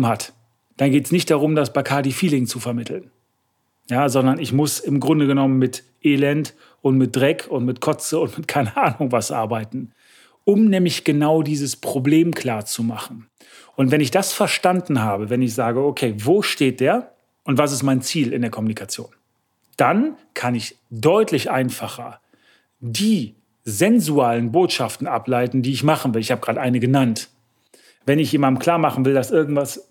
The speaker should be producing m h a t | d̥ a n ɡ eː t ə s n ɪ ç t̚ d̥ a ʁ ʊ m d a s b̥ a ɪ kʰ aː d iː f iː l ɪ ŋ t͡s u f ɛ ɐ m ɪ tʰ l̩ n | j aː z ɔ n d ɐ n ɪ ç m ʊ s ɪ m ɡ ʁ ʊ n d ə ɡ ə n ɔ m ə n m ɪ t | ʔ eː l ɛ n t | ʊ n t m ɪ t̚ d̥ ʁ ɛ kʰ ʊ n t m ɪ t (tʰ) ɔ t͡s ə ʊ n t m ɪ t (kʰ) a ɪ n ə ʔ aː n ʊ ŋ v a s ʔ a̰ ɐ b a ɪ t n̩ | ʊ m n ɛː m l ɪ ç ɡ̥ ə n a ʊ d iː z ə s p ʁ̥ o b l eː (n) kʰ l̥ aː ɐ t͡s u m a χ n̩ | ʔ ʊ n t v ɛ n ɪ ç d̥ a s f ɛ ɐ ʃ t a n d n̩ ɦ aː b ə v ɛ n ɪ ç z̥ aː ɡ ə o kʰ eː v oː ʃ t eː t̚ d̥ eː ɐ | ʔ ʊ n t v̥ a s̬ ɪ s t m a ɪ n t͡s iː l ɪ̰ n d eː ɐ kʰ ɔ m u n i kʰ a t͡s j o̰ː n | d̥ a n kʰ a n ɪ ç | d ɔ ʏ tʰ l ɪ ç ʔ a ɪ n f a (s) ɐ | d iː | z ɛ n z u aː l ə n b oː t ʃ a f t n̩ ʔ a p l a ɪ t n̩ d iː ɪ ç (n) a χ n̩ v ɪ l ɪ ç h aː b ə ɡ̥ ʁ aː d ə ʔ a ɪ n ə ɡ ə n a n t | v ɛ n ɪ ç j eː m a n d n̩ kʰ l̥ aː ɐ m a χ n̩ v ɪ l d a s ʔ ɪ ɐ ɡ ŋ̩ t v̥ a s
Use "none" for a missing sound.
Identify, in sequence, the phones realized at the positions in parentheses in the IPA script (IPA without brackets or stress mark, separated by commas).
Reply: kʰ, kʰ, m, χ, m